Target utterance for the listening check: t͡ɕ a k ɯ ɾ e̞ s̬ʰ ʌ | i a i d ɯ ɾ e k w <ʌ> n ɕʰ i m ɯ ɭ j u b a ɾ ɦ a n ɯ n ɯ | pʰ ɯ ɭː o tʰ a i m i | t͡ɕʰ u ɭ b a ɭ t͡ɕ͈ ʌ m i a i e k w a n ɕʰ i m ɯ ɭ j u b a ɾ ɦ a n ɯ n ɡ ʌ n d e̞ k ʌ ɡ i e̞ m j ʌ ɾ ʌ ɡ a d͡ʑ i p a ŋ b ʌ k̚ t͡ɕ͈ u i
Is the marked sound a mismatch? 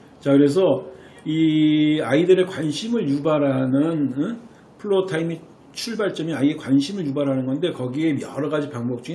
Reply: yes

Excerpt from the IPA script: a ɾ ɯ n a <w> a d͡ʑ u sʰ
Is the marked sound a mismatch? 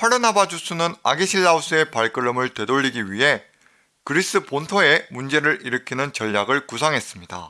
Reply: yes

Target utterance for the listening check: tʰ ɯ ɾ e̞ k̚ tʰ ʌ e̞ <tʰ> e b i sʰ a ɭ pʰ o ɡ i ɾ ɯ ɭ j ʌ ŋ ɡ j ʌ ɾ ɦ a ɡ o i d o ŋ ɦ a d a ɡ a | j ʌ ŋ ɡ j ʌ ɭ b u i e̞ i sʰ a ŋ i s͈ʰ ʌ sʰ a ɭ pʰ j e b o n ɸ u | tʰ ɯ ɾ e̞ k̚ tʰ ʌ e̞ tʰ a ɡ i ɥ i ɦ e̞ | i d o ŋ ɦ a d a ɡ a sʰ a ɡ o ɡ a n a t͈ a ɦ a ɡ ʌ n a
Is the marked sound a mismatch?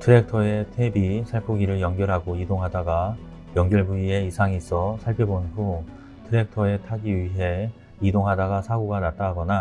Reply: no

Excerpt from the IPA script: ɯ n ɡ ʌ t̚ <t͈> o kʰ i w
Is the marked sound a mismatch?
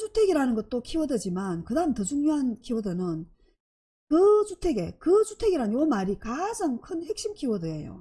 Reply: no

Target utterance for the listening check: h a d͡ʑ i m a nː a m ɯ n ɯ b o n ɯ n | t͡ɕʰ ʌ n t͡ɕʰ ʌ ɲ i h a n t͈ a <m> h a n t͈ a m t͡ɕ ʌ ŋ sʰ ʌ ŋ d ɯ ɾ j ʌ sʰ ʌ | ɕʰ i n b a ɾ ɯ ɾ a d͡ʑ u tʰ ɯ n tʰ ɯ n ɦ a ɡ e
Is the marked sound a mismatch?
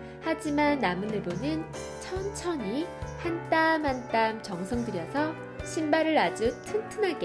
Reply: no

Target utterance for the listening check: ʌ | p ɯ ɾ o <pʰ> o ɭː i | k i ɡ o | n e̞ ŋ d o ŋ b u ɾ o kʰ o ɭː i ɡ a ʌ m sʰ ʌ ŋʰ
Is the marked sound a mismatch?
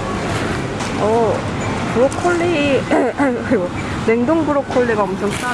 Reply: yes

